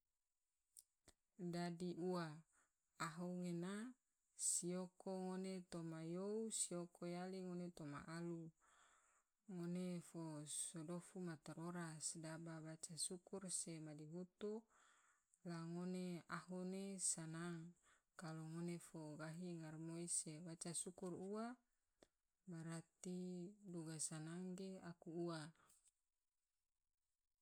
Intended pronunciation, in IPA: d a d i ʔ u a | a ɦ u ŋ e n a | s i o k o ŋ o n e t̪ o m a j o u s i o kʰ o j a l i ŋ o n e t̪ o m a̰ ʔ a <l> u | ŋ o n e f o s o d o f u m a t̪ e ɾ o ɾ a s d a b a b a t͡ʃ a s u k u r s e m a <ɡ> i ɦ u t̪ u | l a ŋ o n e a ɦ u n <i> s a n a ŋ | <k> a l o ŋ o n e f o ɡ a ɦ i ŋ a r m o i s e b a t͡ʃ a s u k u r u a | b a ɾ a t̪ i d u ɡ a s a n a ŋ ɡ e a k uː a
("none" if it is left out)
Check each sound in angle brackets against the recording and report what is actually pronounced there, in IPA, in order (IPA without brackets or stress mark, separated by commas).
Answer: l, d, e, k